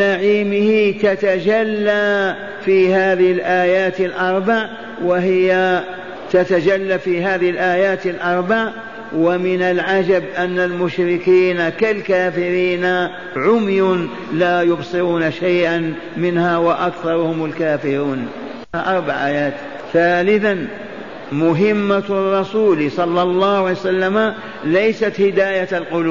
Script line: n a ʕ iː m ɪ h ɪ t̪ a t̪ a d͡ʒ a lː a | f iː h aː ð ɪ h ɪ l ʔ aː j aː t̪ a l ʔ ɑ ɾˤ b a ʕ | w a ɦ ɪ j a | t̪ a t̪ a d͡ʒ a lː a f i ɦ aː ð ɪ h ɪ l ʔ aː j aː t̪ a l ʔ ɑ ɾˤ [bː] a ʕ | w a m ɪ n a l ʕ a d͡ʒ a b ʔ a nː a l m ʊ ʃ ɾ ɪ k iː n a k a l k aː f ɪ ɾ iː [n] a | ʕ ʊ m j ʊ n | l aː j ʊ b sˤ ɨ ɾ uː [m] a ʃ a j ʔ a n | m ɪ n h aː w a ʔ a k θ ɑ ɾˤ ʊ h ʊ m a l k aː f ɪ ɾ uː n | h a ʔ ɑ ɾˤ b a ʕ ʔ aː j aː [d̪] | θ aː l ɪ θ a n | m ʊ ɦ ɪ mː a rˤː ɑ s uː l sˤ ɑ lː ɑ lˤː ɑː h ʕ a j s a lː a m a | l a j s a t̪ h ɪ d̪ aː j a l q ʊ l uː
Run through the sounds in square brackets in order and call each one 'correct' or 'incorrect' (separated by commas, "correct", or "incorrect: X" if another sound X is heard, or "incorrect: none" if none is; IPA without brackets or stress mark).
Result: incorrect: b, correct, incorrect: n, incorrect: t̪